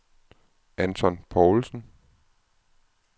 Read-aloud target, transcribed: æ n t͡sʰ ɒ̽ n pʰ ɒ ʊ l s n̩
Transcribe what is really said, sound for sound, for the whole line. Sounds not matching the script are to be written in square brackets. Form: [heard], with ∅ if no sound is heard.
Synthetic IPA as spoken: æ n t͡sʰ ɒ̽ n pʰ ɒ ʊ l s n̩